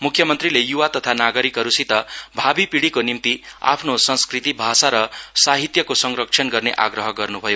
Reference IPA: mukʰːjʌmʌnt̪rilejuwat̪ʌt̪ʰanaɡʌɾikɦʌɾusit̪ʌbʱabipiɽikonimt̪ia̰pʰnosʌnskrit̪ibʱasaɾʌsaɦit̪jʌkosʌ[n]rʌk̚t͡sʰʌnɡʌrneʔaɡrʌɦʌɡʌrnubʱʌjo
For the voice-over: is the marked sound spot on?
no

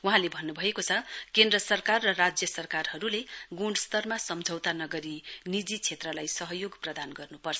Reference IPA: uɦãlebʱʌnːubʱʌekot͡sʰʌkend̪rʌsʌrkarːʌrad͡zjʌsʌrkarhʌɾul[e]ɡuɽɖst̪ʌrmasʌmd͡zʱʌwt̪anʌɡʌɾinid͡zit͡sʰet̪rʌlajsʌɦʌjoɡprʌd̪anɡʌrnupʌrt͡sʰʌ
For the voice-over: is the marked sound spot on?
yes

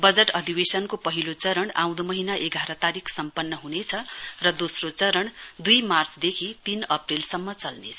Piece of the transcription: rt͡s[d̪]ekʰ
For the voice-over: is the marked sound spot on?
yes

